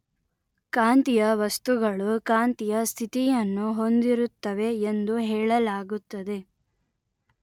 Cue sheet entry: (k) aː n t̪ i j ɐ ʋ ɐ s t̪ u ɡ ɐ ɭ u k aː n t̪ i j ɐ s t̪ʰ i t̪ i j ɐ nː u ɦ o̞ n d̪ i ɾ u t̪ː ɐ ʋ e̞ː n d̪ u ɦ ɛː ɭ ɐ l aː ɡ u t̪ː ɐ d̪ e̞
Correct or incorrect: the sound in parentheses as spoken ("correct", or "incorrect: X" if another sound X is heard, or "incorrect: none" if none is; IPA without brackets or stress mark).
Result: correct